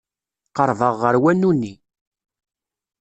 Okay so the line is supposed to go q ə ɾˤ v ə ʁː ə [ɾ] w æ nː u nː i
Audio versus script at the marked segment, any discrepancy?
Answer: no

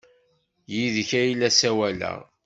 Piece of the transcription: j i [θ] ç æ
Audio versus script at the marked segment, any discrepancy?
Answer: yes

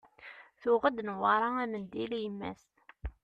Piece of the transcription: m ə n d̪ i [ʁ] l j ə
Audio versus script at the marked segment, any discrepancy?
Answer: yes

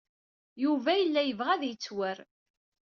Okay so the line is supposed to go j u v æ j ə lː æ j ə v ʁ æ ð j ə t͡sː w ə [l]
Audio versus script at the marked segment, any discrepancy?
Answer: yes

